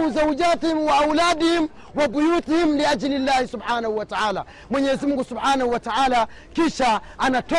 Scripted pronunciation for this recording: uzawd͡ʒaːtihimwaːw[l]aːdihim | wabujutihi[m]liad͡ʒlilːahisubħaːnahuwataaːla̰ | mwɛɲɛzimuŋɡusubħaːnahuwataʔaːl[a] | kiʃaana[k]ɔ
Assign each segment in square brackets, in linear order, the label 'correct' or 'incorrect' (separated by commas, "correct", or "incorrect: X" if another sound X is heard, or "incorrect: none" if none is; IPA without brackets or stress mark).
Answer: correct, correct, correct, incorrect: t